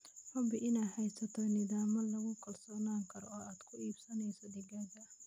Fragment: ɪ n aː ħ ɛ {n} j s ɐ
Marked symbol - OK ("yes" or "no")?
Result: no